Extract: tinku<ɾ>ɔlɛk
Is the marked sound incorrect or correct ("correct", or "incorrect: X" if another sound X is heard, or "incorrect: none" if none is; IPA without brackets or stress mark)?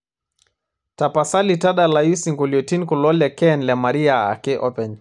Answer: incorrect: l